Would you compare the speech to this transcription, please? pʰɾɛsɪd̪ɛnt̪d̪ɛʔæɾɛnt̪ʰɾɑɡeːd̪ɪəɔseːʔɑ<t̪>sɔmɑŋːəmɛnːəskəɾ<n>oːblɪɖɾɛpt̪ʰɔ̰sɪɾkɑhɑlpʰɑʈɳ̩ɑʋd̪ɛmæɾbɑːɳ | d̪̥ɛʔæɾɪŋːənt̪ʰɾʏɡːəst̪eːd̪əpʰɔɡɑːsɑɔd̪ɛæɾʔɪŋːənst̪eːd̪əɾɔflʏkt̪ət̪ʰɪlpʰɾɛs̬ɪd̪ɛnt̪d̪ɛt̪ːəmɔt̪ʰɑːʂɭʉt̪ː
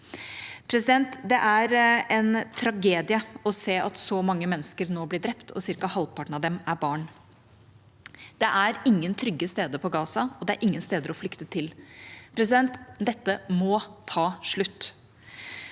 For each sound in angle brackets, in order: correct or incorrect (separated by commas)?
correct, correct